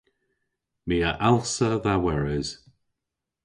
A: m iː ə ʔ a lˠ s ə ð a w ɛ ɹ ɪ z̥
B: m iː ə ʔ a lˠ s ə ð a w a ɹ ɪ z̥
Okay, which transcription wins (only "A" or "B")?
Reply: A